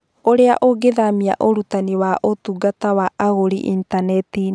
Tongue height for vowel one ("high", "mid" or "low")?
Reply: mid